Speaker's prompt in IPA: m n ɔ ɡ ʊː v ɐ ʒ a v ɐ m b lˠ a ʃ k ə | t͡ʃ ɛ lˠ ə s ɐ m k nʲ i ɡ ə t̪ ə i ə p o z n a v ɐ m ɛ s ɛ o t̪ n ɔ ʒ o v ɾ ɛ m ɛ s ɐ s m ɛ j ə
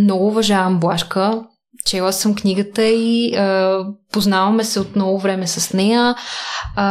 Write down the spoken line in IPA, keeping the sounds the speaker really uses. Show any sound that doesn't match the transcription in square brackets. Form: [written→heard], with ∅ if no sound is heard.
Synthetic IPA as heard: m n ɔ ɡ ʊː v ɐ ʒ a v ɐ m b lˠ a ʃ k ə | t͡ʃ ɛ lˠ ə s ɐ m k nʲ i ɡ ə t̪ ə i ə p o z n a v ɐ m ɛ s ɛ o t̪ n ɔ [ʒ→v] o v ɾ ɛ m ɛ s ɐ s [m→n] ɛ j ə